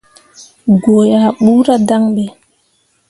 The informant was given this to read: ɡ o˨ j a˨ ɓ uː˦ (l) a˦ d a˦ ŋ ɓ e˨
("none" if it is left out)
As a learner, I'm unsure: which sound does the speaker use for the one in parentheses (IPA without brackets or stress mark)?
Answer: ɾ